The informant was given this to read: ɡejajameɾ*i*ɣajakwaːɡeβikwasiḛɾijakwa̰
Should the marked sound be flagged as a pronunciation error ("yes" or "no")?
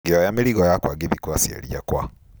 no